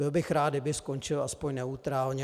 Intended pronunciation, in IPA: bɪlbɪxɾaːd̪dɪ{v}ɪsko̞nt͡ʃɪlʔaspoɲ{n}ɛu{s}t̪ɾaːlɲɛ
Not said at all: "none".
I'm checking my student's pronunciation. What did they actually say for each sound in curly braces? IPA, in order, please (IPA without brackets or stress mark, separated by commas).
b, n, none